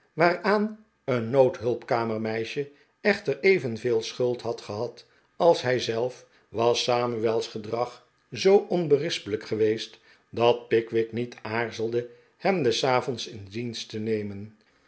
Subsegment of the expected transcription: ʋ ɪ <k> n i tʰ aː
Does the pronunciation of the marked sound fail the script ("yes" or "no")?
no